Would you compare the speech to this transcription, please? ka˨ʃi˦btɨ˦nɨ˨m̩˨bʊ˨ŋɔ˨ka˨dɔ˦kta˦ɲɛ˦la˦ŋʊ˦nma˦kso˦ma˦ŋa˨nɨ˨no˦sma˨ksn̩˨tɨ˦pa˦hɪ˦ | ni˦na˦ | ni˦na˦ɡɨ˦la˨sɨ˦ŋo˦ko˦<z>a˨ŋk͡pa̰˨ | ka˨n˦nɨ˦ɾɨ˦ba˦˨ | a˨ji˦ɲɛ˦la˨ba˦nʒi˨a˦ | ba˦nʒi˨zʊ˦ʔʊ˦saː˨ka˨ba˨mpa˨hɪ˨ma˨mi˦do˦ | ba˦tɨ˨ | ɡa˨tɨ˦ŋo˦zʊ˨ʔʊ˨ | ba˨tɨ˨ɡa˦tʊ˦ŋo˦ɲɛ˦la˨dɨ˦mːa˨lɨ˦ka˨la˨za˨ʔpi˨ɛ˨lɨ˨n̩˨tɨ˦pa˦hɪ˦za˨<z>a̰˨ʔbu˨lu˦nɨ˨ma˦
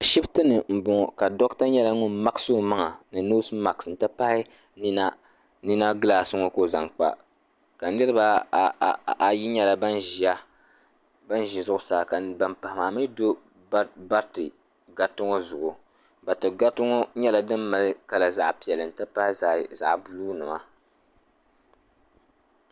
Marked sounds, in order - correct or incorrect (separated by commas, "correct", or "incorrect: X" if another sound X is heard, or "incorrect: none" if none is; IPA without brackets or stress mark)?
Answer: correct, correct